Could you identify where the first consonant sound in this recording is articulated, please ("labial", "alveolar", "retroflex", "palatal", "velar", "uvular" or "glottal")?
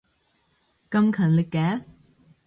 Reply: velar